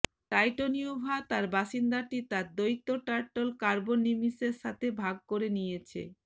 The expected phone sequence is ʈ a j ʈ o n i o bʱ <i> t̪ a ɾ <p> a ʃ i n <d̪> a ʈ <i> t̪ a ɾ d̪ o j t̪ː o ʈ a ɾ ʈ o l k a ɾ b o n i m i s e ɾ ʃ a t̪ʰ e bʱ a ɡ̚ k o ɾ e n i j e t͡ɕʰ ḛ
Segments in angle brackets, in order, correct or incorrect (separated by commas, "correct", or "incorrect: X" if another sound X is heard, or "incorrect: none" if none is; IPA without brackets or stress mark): incorrect: a, incorrect: b, correct, correct